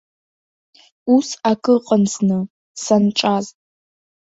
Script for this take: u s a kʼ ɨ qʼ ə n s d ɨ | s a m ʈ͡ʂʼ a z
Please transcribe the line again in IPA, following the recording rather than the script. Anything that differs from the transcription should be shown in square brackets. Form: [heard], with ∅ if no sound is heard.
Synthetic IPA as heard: u s a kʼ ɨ qʼ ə n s [n] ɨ | s a [n] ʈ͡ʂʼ a z